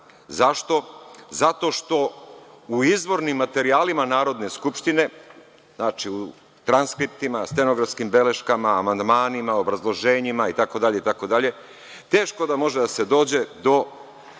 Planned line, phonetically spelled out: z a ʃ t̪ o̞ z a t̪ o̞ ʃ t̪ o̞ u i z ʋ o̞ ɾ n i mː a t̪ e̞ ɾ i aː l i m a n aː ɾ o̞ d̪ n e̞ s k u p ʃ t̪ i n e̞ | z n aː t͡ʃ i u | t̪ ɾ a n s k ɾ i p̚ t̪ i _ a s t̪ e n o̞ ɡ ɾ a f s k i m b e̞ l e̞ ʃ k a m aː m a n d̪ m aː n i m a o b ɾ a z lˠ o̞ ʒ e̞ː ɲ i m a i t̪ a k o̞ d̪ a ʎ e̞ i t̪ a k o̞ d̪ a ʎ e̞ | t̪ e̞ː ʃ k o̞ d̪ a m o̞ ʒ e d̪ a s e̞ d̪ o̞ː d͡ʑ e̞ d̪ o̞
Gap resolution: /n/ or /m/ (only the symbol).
m